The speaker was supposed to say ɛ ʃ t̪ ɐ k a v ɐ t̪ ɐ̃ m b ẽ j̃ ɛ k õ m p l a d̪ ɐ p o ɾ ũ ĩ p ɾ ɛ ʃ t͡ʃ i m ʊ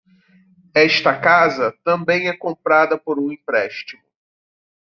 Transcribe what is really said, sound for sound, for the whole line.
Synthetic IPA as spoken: ɛ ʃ t̪ ɐ k a z ɐ t̪ ɐ̃ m b ẽ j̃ ɛ k õ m p ɾ a d̪ ɐ p o ɾ ũ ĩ p ɾ ɛ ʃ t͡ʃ i m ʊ

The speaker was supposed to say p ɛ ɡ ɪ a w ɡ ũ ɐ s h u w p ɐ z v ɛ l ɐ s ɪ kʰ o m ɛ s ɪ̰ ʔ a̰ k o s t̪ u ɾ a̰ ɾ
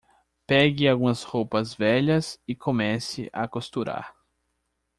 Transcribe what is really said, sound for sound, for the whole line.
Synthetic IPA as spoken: p ɛ ɡ ɪ a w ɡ ũ ɐ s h o w p ɐ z v ɛ ʎ ɐ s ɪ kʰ o m ɛ s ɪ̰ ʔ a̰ k o s t̪ u ɾ a̰ ɾ

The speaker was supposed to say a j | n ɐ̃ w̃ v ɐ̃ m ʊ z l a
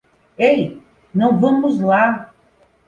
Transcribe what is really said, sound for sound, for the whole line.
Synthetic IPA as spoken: e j | n ɐ̃ w̃ v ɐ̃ m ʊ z l a

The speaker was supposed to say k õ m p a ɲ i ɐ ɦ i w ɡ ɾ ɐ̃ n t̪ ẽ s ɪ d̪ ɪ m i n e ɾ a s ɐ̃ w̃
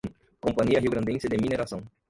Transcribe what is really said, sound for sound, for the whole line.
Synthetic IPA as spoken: k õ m p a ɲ i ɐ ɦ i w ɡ ɾ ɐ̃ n d̪ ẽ s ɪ d̪ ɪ m i n e ɾ a s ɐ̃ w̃

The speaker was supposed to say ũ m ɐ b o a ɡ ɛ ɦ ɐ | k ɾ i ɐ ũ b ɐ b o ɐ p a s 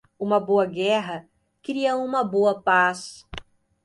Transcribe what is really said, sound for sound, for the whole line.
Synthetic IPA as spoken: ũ m ɐ b o ɐ ɡ ɛ ɦ ɐ | k ɾ i ɐ ũ m ɐ b o ɐ p a s

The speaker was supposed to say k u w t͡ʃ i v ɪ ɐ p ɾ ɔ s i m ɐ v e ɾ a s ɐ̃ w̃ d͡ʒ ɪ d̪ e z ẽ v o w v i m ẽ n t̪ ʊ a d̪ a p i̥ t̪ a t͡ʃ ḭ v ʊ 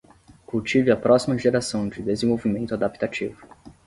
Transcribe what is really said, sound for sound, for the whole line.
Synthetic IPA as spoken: k u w t͡ʃ i v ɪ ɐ p ɾ ɔ s i m ɐ ʒ e ɾ a s ɐ̃ w̃ d͡ʒ ɪ d̪ e z ẽ v o w v i m ẽ n t̪ ʊ a d̪ a p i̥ t̪ a t͡ʃ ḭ v ʊ

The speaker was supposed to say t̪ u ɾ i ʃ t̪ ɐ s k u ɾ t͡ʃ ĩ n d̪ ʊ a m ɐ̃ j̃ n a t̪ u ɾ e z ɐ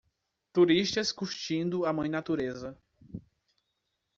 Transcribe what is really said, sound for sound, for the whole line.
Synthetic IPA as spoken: t̪ u ɾ i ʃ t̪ ɐ s k u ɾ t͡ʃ ĩ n d̪ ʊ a m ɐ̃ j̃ n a t̪ u ɾ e z ɐ

